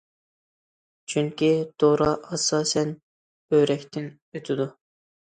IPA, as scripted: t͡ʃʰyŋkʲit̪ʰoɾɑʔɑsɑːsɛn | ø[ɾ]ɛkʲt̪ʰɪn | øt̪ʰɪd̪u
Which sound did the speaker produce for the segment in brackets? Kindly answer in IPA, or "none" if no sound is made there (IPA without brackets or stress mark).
ɾ